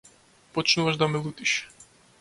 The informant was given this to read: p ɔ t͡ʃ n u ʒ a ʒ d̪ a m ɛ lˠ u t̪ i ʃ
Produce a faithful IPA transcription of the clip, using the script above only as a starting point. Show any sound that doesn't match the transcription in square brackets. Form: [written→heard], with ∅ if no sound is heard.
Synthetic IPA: p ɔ t͡ʃ n u [ʒ→v] a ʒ d̪ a m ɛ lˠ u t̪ i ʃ